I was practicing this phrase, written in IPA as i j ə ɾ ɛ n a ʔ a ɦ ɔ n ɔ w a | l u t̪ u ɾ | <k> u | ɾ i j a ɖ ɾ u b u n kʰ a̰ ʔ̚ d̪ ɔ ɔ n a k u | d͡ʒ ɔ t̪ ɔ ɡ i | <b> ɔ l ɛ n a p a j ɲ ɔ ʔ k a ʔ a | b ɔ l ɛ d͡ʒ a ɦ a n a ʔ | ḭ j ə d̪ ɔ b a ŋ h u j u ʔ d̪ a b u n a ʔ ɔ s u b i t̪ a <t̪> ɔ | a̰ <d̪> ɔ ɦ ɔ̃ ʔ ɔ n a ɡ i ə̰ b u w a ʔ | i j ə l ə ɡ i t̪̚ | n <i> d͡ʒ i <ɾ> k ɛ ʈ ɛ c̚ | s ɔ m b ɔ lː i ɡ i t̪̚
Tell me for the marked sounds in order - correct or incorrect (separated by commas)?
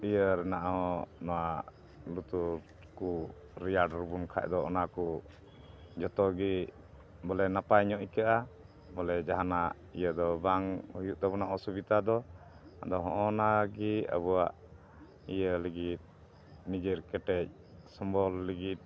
correct, correct, incorrect, correct, correct, correct